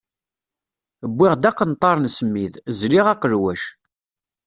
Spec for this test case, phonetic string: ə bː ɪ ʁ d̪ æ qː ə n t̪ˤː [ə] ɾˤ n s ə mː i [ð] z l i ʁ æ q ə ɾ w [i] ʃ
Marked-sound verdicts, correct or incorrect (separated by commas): incorrect, correct, incorrect